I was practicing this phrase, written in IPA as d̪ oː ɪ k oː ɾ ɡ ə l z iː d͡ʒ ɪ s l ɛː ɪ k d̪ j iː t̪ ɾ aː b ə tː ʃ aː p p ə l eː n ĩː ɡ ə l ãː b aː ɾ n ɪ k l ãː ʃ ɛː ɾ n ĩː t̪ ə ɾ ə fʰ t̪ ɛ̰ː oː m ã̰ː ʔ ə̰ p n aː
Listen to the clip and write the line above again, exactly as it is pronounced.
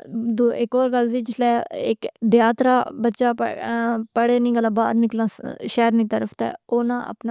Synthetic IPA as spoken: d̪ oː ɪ k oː ɾ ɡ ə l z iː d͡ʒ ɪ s l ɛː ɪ k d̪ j aː t̪ ɾ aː b ə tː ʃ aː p p ə ɽ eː n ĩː ɡ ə l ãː b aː ɾ n ɪ k l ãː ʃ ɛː ɾ n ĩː t̪ ə ɾ ə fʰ t̪ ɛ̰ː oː n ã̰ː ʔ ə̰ p n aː